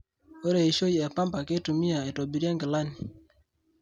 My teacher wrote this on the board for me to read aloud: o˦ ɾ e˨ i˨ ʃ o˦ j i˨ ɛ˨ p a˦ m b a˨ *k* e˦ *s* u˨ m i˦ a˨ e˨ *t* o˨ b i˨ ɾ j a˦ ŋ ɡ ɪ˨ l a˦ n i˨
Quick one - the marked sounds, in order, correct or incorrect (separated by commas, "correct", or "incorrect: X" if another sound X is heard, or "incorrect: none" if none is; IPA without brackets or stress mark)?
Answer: correct, incorrect: t, correct